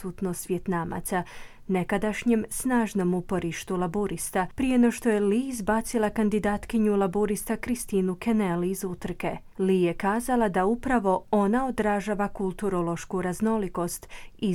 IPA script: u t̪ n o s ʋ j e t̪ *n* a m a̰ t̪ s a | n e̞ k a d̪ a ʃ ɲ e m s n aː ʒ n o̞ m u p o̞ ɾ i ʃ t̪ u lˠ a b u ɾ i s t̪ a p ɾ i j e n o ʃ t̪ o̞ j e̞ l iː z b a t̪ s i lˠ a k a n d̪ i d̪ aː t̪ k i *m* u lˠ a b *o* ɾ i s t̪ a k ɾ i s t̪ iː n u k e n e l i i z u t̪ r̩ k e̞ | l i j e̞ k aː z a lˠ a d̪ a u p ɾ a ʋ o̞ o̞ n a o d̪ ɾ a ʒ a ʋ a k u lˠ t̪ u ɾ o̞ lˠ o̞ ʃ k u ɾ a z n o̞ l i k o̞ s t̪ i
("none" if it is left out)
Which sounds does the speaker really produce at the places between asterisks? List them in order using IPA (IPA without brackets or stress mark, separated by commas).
n, ɲ, u